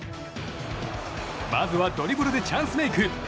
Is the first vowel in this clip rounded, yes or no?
no